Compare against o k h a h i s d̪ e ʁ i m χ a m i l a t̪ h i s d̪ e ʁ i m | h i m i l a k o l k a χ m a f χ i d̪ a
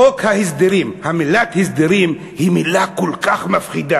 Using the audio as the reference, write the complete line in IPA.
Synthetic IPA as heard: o k h a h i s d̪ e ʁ i m h a m i l a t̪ h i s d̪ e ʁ i m | h i m i l a k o l k a χ m a f χ i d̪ a